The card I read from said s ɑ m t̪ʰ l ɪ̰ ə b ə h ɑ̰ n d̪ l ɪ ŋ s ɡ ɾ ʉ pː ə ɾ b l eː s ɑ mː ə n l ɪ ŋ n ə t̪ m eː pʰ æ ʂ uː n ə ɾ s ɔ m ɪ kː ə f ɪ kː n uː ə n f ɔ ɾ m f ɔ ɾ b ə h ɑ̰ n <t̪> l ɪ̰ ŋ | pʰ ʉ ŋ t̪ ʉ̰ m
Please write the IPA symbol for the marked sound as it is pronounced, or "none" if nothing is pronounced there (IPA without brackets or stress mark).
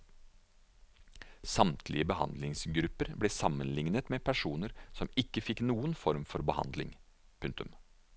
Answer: d̪